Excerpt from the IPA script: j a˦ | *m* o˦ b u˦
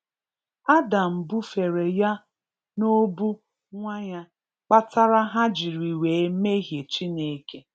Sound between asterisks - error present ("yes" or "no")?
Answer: yes